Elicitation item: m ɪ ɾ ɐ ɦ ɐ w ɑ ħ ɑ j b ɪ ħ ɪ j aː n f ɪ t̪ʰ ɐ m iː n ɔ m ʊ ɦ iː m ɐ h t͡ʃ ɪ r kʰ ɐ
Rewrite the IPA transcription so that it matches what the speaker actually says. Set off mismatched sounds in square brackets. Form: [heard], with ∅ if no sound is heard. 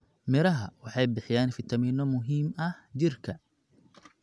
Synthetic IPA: m ɪ ɾ ɐ ɦ ɐ w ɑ ħ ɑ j b ɪ ħ ɪ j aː n f ɪ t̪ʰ ɐ m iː n ɔ m ʊ ɦ iː m ɐ h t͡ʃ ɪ r kʰ ɐ